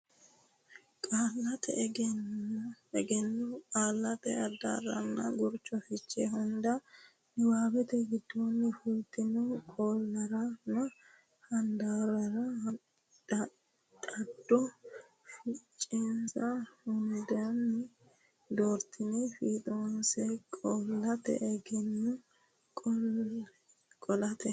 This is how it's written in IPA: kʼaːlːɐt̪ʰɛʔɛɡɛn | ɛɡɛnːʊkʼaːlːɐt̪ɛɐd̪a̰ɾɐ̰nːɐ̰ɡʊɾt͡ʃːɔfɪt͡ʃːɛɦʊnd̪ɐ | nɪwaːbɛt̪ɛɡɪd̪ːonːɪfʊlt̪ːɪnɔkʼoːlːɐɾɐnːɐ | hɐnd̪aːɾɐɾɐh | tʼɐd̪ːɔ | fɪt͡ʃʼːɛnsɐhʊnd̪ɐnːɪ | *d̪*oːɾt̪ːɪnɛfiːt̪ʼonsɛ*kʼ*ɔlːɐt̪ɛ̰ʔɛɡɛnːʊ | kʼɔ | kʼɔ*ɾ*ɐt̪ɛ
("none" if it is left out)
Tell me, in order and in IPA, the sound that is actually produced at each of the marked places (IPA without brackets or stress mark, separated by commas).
d̪, kʼ, l